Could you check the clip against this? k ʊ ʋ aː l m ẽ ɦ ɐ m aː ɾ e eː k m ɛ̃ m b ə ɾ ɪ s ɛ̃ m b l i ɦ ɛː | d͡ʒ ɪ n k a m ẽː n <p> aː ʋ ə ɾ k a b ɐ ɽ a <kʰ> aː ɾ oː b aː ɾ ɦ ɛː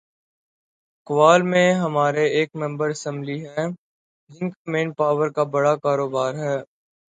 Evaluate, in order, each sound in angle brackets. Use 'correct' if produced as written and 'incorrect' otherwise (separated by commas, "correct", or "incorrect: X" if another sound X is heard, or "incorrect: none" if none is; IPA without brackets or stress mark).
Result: correct, incorrect: k